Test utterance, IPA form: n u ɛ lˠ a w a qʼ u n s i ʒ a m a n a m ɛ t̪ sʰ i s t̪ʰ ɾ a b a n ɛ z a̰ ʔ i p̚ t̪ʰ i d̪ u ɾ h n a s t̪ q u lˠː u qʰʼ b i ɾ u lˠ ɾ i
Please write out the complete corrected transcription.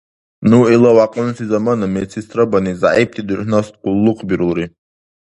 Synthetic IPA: n u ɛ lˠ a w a qʼ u n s i z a m a n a m ɛ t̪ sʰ i s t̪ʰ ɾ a b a n i z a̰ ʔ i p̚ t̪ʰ i d̪ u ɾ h n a s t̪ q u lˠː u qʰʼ b i ɾ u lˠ ɾ i